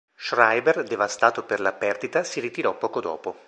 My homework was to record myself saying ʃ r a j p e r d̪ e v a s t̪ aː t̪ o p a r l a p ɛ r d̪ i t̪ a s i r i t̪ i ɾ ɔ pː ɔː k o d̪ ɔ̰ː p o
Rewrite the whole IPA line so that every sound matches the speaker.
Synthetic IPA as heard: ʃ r a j b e r d̪ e v a s t̪ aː t̪ o p e r l a p ɛ r d̪ i t̪ a s i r i t̪ i ɾ ɔ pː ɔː k o d̪ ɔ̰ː p o

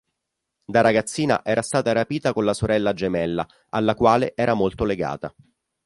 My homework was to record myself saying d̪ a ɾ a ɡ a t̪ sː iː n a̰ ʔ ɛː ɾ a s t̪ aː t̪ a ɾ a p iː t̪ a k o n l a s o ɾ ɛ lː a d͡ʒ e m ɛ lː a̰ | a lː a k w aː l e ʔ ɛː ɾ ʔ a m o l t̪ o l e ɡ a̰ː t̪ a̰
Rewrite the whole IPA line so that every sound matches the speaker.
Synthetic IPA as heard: d̪ a ɾ a ɡ a t̪ sː iː n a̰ ʔ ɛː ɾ a s t̪ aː t̪ a ɾ a p iː t̪ a k o n l a s o ɾ ɛ lː a d͡ʒ e m ɛ lː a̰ | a lː a k w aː l e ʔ ɛː ɾ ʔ a m o l t̪ o l e ɡ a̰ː t̪ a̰

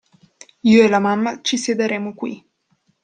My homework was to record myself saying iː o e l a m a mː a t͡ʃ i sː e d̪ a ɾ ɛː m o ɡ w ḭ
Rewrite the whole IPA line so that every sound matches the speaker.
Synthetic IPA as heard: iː o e l a m a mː a t͡ʃ i s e d̪ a ɾ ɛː m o k w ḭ

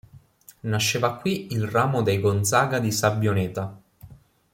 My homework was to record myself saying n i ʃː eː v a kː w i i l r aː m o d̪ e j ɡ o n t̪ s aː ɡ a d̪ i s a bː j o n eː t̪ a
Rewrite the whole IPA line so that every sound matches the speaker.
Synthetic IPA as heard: n a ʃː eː v a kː w i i l r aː m o d̪ e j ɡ o n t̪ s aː ɡ a d̪ i s a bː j o n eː t̪ a

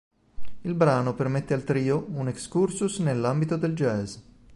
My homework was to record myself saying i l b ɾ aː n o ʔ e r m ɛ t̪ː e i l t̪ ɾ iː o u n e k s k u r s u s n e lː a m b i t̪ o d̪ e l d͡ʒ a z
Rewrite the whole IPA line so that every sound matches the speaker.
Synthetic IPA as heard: i l b ɾ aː n o p e r m e t̪ː e a l t̪ ɾ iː o u n e k s k u r s u s n e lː a m b i t̪ o d̪ e l d͡ʒ ɛ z

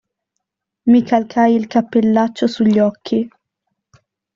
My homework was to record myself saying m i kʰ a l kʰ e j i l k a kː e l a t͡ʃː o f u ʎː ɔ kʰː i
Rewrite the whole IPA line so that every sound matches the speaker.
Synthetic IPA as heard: m i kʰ a l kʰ a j i l k a pː e lː a t͡ʃː o s u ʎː ɔ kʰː i

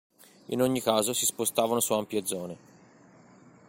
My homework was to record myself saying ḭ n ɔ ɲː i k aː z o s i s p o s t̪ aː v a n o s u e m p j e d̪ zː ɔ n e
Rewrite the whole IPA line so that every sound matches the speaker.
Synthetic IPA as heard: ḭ n o ɲː i k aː z o s i s p o s t̪ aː v a n o s u a m p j e d̪ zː ɔː n e

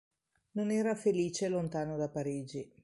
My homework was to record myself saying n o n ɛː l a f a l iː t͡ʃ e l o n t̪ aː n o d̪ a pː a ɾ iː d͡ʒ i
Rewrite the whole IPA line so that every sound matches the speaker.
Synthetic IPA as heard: n o n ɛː ɾ a f e l iː t͡ʃ e l o n t̪ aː n o d̪ a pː a ɾ iː d͡ʒ i

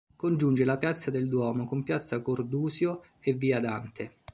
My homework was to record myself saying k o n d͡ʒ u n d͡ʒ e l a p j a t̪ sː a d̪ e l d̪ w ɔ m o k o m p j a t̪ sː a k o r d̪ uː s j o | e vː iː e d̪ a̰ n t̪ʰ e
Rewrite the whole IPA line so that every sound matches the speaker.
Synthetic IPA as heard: k o n d͡ʒ u n d͡ʒ e l a p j a t̪ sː a d̪ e l d̪ w ɔː m o k o m p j a t̪ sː a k o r d̪ uː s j o | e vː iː a d̪ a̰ n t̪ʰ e

